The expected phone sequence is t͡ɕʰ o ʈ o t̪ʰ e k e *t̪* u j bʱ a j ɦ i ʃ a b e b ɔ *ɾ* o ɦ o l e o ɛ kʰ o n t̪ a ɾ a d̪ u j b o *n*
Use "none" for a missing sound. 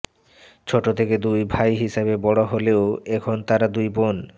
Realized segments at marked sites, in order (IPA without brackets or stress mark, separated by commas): d̪, ɽ, n